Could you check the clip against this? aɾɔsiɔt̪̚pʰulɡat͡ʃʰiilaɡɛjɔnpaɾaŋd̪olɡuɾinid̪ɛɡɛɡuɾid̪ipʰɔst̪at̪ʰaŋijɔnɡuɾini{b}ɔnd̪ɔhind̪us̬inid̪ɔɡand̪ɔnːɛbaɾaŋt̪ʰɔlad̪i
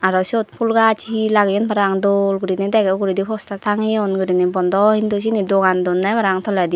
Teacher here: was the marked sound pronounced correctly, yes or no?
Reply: yes